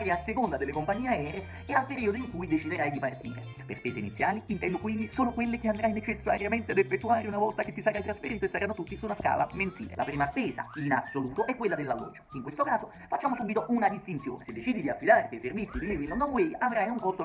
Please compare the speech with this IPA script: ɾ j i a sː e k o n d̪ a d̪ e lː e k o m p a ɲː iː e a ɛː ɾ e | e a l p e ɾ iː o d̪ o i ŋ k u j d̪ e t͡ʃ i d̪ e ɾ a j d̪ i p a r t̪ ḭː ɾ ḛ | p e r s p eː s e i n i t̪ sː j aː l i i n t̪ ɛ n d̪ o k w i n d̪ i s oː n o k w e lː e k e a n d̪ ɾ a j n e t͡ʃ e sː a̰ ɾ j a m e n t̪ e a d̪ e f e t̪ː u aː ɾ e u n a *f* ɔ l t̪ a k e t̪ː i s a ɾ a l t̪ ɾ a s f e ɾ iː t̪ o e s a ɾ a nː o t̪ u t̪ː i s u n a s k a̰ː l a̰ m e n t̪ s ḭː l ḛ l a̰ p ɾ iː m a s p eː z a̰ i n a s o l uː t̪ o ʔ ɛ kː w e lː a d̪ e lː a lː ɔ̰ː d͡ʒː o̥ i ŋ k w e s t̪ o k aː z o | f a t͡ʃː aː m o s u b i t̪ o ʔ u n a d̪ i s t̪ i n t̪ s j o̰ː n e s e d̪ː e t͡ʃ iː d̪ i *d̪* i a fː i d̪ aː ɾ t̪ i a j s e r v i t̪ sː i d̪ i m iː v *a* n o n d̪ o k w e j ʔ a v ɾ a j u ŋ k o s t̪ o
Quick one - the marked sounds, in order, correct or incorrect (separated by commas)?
incorrect, correct, incorrect